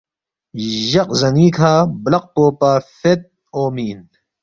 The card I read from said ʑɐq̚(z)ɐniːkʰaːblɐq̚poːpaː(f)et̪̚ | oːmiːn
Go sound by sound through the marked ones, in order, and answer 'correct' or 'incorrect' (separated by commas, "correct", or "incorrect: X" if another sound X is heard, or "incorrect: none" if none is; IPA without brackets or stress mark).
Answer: correct, correct